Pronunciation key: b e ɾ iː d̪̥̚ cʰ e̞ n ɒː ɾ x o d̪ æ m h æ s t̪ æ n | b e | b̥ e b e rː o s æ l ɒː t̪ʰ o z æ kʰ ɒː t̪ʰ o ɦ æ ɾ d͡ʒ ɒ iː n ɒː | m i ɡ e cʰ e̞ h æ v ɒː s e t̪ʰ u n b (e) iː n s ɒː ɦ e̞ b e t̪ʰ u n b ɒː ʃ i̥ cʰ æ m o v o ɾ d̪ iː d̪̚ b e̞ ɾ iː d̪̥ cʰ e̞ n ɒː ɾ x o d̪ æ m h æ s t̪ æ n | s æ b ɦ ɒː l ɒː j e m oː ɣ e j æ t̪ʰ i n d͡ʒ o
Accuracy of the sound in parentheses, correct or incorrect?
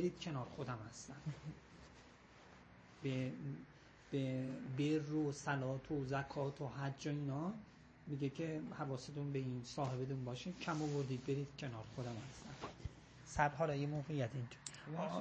correct